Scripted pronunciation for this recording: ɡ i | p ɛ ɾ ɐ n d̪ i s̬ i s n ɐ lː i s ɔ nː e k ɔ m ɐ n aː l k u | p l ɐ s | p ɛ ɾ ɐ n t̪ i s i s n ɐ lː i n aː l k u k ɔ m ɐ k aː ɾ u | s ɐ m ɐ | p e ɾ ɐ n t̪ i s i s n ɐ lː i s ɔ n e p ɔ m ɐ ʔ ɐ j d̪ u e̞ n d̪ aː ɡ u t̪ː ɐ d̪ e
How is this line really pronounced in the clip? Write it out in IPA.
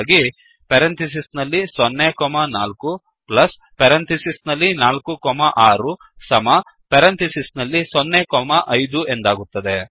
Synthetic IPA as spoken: ɡ i | p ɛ ɾ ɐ n t̪ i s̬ i s n ɐ lː i s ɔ nː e k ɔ m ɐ n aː l k u | p l ɐ s | p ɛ ɾ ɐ n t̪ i s i s n ɐ lː i n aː l k u k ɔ m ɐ ʔ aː ɾ u | s ɐ m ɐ | p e ɾ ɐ n t̪ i s i s n ɐ lː i s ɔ nː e k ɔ m ɐ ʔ ɐ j d̪ u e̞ n d̪ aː ɡ u t̪ː ɐ d̪ e